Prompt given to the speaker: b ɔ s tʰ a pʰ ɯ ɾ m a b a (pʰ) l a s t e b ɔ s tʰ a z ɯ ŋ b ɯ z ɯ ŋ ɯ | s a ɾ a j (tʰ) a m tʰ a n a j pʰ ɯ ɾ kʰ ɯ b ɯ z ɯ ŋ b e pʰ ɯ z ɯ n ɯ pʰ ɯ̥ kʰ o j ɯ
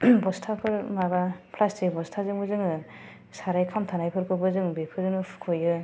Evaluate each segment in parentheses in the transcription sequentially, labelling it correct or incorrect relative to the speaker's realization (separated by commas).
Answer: correct, incorrect